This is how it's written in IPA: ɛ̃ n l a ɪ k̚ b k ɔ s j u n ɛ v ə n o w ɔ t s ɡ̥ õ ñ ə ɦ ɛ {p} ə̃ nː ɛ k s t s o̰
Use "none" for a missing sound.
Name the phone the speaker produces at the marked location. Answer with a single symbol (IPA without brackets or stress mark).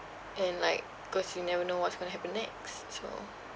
p